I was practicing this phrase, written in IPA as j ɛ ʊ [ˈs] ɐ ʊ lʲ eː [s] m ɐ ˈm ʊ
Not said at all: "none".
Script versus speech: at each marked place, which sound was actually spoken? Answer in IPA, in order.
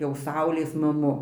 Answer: s, s

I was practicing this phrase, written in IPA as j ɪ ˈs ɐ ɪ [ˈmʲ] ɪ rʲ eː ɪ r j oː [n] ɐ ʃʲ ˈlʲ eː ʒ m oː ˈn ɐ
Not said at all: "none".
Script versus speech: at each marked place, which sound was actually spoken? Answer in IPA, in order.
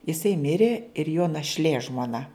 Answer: mʲ, n

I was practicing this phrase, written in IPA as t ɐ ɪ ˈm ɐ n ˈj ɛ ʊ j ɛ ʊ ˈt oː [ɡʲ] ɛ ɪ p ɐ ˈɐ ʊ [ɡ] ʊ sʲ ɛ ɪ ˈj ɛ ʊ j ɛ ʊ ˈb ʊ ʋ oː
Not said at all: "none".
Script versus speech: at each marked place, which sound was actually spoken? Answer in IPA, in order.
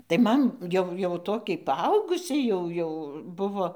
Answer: kʲ, ɡ

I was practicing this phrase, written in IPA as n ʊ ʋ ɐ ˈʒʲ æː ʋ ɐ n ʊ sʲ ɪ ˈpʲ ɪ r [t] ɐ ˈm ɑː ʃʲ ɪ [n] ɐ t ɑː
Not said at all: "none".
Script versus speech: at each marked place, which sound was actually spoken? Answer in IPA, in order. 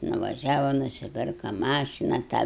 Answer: k, n

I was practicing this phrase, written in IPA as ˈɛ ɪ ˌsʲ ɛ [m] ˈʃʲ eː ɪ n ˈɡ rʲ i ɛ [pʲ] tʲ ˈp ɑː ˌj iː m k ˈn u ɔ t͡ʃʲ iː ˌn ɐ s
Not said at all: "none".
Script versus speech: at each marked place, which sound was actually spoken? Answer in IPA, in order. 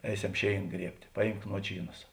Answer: m, pʲ

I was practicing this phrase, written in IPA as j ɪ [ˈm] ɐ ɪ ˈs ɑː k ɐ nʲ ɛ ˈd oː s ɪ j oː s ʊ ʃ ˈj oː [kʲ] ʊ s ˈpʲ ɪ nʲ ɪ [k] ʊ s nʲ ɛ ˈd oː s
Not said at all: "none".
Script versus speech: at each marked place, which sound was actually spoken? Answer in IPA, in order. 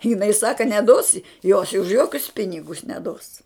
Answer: n, kʲ, ɡ

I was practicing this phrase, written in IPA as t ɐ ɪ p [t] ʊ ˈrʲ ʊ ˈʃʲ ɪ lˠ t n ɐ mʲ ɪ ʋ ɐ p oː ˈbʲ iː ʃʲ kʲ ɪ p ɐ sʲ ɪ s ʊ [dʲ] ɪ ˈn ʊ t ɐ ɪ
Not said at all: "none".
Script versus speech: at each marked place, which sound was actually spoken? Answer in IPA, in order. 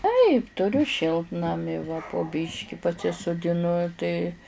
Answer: t, dʲ

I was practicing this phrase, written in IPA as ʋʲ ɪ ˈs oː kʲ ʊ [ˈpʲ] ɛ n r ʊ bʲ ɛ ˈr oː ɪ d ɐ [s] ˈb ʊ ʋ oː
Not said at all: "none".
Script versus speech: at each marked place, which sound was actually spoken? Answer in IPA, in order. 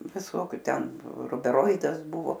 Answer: tʲ, s

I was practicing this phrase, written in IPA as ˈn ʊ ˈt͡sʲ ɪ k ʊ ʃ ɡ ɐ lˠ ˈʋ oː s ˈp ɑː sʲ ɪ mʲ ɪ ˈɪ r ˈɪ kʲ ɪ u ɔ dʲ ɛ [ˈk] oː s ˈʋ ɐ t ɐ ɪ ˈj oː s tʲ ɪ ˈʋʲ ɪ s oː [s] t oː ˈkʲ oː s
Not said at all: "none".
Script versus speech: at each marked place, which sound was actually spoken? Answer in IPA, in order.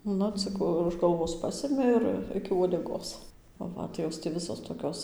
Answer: ɡ, s

